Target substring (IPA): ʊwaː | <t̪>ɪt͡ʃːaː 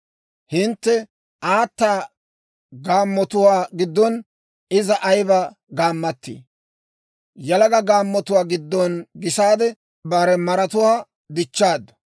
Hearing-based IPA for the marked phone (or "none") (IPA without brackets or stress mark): d̪